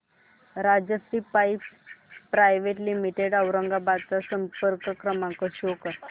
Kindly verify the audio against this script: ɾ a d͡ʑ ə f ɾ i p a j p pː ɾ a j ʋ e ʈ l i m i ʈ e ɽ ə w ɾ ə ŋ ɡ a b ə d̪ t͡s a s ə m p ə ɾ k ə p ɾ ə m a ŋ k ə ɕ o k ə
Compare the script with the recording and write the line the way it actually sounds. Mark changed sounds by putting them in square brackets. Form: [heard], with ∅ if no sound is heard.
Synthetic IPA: ɾ a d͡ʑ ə [s] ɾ i p a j p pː ɾ a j ʋ e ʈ l i m i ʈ e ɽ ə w ɾ ə ŋ ɡ a b [a] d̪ t͡s a s ə m p ə ɾ k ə [k] ɾ ə m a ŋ k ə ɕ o k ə